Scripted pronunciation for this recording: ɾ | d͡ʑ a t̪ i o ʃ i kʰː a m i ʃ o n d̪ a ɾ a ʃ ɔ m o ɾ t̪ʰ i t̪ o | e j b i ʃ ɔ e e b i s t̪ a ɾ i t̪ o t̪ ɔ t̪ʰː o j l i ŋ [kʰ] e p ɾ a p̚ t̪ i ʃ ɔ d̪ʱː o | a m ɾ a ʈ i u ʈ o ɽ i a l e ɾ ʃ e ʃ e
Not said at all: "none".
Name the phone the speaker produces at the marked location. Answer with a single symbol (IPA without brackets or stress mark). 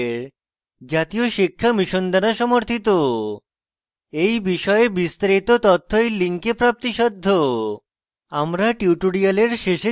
k